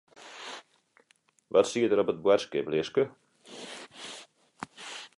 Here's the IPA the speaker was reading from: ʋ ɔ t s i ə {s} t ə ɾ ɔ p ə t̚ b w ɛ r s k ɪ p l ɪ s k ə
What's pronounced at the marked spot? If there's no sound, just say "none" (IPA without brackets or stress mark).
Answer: none